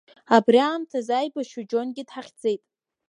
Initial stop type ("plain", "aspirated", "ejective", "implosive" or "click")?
plain